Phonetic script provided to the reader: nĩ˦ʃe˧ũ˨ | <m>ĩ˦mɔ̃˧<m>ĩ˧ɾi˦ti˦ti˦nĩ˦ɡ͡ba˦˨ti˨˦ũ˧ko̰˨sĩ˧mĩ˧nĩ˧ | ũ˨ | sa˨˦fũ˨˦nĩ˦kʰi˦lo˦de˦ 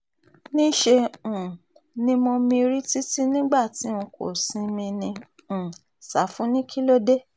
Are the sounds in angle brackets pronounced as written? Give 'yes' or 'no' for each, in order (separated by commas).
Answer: no, yes